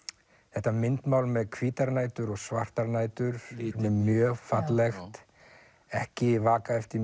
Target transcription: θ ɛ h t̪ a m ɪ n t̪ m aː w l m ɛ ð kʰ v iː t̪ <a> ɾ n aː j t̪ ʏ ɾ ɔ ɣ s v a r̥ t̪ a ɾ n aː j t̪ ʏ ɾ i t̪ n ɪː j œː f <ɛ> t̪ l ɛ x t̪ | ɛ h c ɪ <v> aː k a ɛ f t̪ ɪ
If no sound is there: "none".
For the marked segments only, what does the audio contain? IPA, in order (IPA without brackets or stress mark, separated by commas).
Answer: a, a, v